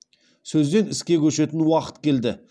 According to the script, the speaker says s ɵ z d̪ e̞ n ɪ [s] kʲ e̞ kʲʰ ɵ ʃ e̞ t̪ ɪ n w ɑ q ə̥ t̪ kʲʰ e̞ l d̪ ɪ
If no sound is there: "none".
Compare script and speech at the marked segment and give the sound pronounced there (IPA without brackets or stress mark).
s